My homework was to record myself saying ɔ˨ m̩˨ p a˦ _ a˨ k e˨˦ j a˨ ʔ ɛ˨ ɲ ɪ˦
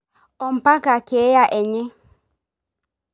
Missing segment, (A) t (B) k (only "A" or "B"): B